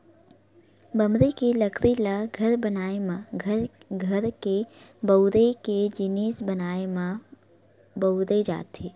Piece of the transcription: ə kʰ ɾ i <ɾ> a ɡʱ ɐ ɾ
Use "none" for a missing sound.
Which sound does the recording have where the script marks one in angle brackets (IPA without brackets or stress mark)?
l